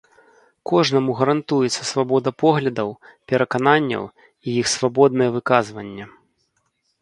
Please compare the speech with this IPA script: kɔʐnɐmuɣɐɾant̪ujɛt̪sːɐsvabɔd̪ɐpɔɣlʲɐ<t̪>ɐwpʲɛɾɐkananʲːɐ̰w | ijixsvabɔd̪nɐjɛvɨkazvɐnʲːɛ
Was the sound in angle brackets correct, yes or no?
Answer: no